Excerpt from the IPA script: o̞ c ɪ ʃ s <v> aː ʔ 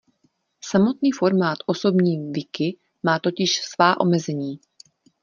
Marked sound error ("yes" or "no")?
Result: no